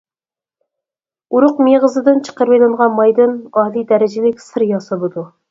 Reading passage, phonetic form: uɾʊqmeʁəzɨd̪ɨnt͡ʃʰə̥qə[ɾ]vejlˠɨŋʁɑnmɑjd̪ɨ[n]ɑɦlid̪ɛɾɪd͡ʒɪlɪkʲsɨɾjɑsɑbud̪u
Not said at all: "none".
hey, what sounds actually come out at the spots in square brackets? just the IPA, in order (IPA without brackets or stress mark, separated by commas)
ɾ, n